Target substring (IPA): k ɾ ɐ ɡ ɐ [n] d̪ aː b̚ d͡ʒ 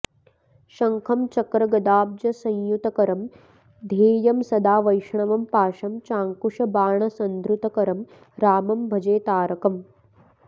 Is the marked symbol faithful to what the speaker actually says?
no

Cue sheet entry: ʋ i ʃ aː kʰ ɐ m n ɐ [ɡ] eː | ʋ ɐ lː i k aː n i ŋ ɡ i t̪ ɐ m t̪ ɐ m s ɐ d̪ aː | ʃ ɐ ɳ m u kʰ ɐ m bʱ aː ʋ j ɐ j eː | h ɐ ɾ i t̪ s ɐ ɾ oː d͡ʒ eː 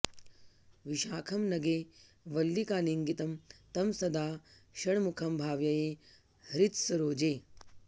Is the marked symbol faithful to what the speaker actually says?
yes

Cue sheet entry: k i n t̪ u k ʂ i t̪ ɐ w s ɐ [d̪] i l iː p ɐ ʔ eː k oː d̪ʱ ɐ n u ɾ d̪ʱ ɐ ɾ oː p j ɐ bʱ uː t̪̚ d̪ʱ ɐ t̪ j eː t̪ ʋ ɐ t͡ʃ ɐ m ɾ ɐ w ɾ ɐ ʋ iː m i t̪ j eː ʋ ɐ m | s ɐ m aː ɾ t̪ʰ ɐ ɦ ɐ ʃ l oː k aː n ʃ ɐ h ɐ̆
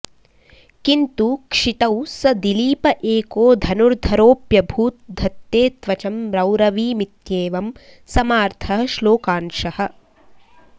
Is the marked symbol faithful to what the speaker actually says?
yes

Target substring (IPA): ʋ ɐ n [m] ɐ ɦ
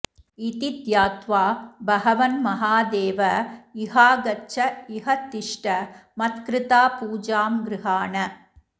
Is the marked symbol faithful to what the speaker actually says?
yes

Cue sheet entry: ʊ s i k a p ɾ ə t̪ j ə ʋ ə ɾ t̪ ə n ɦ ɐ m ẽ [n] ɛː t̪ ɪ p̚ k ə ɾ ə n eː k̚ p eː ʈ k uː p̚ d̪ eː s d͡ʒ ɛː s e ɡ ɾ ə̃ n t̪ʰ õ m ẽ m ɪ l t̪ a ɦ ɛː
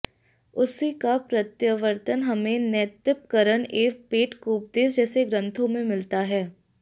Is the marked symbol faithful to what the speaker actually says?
yes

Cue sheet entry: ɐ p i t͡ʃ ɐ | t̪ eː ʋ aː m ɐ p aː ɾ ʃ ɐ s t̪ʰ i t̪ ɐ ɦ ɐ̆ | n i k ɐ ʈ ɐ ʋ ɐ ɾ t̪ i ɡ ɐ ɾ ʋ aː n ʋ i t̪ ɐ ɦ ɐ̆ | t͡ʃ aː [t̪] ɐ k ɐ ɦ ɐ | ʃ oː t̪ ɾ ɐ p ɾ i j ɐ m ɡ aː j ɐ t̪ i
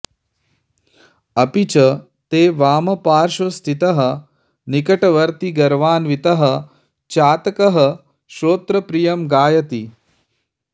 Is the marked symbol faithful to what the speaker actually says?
yes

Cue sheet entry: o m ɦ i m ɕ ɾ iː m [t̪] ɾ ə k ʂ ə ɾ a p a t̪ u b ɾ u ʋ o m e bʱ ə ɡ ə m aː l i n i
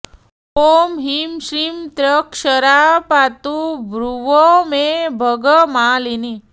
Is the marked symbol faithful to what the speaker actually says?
yes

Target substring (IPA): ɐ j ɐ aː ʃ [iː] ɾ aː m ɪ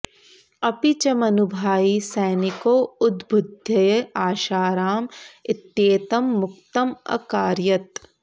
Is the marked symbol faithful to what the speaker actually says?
no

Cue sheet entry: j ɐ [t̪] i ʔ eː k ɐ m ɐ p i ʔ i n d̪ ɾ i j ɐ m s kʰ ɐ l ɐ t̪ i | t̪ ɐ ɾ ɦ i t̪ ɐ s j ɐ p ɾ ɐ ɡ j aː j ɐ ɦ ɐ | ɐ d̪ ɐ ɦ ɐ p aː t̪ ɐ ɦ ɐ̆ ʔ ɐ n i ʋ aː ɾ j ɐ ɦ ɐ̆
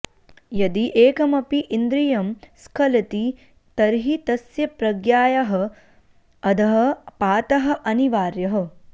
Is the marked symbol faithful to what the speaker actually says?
no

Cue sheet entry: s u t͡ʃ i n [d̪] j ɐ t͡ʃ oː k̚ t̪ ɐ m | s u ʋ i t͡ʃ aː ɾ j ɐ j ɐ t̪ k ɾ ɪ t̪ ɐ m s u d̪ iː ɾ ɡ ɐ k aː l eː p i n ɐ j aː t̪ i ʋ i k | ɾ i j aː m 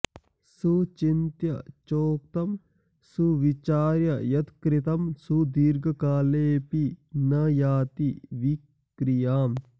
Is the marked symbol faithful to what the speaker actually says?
no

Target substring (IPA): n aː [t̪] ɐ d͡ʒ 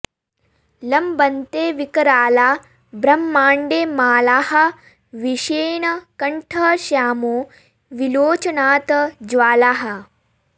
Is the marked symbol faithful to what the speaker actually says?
yes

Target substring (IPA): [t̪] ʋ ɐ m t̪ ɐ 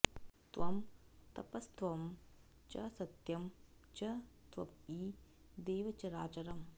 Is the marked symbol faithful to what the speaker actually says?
yes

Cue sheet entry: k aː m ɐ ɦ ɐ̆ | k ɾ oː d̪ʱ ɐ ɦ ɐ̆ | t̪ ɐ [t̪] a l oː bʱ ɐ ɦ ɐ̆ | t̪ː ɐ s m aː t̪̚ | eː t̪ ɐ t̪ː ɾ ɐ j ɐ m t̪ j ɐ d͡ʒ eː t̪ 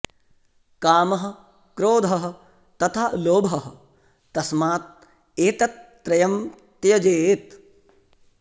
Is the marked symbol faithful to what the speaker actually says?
no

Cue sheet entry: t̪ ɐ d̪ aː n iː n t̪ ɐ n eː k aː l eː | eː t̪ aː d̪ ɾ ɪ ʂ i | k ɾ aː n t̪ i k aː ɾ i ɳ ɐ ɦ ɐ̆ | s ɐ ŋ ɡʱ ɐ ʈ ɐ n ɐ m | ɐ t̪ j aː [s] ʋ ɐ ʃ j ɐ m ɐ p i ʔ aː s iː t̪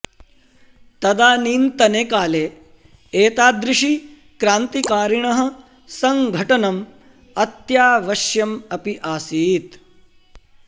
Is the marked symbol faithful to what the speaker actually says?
no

